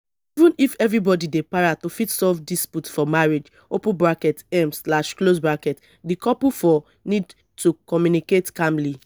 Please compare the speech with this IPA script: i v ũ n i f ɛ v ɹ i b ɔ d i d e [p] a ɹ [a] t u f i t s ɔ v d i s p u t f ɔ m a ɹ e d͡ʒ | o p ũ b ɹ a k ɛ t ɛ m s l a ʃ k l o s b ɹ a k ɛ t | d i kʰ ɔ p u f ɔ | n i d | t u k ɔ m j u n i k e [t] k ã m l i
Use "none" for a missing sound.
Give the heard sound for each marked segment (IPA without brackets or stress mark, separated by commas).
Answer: p, a, t